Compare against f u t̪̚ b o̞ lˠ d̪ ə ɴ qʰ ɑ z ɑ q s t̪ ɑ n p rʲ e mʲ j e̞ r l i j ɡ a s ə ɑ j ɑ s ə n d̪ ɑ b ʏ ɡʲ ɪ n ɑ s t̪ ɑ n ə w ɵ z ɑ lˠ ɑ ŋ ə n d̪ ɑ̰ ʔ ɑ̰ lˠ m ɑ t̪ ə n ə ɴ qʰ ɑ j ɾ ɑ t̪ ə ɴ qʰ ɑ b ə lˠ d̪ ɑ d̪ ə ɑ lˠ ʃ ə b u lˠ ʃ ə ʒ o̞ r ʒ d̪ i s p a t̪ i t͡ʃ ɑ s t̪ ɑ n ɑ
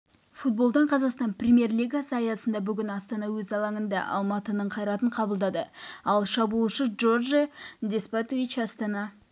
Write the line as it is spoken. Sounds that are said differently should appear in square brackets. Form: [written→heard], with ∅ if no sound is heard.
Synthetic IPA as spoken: f u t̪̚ b o̞ lˠ d̪ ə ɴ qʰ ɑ z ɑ q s t̪ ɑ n p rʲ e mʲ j e̞ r l i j ɡ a s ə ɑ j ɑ s ə n d̪ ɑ b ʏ ɡʲ ɪ n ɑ s t̪ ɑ n [ə→ɑ] w ɵ z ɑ lˠ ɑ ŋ ə n d̪ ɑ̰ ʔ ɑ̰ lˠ m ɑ t̪ ə n ə ɴ qʰ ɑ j ɾ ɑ t̪ ə ɴ qʰ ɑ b ə lˠ d̪ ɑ d̪ ə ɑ lˠ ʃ [ə→ɑ] b u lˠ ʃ ə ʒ o̞ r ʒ d̪ [i→e] s p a t̪ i t͡ʃ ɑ s t̪ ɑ n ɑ